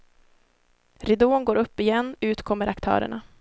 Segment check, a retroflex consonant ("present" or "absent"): present